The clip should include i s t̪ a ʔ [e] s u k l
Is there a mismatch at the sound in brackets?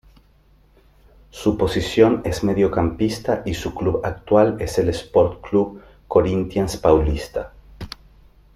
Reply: yes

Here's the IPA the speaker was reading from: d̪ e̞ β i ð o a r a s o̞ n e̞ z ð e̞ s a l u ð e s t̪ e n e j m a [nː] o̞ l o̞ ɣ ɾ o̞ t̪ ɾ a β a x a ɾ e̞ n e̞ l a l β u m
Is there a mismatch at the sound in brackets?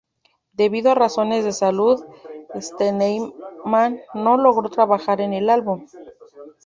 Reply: no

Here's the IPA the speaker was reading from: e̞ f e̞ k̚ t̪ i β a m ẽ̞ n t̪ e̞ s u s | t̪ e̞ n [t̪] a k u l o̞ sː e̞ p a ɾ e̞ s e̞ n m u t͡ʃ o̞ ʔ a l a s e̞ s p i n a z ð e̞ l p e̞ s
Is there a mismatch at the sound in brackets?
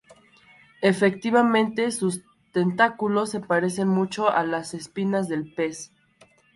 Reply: no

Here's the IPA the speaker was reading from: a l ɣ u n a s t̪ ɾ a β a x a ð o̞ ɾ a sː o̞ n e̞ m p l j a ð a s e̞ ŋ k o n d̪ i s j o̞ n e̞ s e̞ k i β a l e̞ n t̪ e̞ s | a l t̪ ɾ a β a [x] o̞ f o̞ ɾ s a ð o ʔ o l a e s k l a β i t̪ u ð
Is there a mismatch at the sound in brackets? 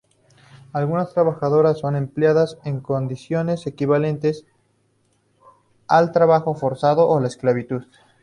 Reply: no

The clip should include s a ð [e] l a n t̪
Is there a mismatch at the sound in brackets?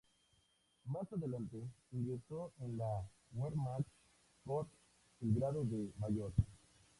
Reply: no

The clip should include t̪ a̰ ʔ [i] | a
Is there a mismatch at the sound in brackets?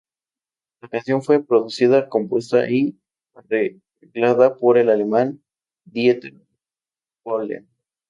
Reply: no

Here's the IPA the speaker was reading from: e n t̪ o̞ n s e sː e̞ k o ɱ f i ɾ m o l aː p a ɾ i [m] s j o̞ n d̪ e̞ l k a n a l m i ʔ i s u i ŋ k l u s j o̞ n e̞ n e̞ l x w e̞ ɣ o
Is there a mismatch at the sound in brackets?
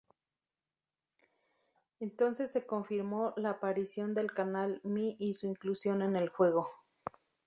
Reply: yes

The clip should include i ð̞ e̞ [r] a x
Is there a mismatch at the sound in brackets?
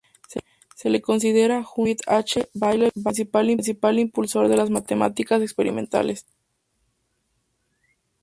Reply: yes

